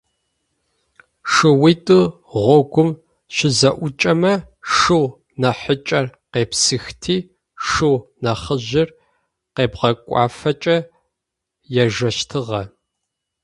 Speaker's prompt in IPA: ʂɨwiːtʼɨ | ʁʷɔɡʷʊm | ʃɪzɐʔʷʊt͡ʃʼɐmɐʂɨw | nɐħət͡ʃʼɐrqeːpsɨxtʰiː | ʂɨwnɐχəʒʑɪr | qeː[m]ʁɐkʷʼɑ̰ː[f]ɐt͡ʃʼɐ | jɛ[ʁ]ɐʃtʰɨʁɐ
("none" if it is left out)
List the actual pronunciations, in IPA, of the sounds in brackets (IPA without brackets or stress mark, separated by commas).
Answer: b, f, ʒ